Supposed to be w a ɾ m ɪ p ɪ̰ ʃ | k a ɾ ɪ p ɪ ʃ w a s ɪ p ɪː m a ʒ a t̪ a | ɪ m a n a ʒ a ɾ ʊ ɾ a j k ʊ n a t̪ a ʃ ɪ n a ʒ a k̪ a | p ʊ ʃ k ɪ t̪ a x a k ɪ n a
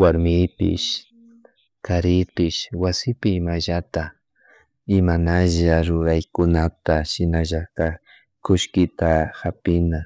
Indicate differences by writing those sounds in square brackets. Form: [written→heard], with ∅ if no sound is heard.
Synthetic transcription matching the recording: w a ɾ m ɪ p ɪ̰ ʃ | k a ɾ ɪ p ɪ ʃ w a s ɪ p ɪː m a ʒ a t̪ a | ɪ m a n a ʒ a ɾ ʊ ɾ a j k ʊ n a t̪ a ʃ ɪ n a ʒ a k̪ a | [p→k] ʊ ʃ k ɪ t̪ a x a [k→p] ɪ n a